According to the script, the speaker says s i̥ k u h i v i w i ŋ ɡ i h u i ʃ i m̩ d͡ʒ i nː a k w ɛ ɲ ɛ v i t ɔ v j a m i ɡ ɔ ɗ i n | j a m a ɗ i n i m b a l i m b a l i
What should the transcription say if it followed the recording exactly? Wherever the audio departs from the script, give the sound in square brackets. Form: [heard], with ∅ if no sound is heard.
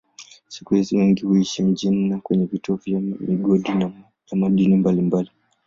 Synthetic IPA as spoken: s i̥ k u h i [z] i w i ŋ ɡ i h u i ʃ i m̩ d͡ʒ i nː a k w ɛ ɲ ɛ v i t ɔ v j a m i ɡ ɔ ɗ i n | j a m a ɗ i n i m b a l i m b a l i